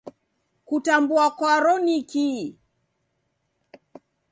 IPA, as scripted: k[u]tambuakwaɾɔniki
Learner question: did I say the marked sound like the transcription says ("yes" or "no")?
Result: yes